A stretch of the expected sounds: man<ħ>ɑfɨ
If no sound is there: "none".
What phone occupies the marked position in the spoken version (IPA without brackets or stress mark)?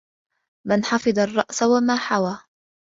ħ